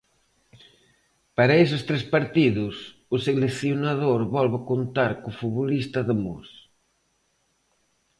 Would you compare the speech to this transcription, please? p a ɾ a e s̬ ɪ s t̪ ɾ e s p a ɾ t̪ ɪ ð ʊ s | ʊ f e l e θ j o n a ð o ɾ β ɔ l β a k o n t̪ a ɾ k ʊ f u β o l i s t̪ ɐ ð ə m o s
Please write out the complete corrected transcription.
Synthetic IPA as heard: p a ɾ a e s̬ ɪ s t̪ ɾ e s p a ɾ t̪ i ð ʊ s | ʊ s e l e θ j o n a ð o ɾ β ɔ l β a k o n t̪ a ɾ k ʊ f u β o l i s t̪ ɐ ð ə m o s